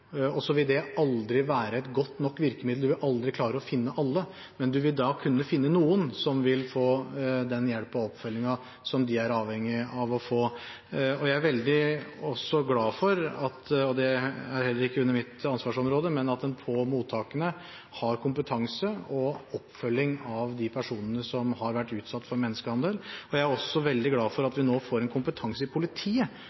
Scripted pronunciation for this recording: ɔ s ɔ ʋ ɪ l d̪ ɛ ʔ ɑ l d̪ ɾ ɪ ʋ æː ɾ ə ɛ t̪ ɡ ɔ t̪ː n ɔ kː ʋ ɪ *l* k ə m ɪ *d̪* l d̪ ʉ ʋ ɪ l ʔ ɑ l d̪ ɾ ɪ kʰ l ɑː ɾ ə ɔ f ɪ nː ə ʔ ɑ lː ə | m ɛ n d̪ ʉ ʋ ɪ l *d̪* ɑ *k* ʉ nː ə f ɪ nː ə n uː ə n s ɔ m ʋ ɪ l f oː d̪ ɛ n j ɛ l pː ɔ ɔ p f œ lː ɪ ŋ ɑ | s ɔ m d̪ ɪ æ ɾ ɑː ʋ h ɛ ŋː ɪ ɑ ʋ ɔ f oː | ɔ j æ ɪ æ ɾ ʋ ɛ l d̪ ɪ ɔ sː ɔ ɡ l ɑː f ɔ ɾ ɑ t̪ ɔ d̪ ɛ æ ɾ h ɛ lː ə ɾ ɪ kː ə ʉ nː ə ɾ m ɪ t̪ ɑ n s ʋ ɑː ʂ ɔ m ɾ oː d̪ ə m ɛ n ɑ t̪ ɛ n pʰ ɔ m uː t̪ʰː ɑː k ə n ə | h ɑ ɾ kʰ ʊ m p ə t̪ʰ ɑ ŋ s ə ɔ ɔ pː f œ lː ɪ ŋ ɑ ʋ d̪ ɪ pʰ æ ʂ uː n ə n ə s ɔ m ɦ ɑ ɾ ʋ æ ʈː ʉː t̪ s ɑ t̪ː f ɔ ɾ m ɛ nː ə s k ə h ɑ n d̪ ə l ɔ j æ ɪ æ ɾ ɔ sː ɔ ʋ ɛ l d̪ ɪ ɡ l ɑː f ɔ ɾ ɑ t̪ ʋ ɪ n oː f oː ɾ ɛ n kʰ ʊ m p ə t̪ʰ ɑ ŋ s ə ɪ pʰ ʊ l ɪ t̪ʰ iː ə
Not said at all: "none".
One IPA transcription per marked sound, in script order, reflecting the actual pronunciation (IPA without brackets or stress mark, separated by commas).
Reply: ɾ, d̪, d̪, kʰ